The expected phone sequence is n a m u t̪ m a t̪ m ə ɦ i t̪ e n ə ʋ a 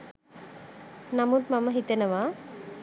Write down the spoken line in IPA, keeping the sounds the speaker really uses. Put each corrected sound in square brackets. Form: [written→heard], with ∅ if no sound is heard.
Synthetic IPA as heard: n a m u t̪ m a [t̪→∅] m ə ɦ i t̪ e n ə ʋ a